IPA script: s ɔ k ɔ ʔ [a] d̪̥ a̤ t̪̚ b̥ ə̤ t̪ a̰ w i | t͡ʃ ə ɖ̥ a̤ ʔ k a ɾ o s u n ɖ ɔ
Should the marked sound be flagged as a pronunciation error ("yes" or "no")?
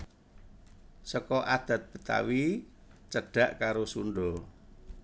no